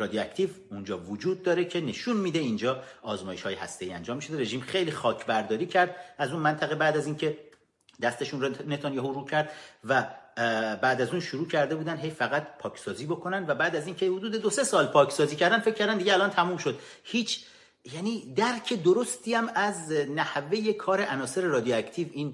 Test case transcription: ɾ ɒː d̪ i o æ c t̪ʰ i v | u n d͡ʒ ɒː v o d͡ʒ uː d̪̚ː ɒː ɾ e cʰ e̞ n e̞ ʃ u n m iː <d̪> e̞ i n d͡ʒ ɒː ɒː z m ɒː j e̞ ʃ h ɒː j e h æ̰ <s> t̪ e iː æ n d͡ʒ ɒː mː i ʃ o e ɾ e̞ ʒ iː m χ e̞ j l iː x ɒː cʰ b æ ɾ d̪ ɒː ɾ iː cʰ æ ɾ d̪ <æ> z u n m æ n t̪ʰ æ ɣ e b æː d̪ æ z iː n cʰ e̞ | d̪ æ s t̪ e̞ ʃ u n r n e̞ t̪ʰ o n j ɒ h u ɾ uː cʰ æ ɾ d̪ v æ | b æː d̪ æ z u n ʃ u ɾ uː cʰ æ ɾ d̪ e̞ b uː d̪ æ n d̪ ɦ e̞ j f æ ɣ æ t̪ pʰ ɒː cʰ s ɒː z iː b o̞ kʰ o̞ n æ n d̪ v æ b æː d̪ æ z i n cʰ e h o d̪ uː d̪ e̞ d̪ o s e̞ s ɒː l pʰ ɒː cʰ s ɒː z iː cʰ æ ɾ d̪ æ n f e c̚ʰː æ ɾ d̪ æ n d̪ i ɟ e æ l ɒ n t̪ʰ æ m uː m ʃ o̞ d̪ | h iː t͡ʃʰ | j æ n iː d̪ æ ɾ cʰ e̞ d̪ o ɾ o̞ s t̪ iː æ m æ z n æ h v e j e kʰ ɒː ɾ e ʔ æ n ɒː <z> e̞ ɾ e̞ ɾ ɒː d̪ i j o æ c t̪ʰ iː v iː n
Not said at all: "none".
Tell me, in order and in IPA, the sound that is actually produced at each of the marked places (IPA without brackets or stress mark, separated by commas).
d̪, s, æ, s